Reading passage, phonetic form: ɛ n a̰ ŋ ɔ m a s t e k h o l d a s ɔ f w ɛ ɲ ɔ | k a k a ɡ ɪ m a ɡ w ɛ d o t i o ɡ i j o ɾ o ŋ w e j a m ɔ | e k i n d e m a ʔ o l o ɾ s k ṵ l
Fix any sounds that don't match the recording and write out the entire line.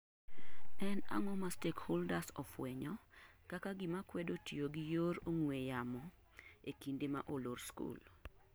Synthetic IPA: ɛ n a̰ ŋ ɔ m a s t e k h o l d a s ɔ f w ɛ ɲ ɔ | k a k a ɡ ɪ m a k w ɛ d o t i o ɡ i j o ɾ o ŋ w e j a m ɔ | e k i n d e m a ʔ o l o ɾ s k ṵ l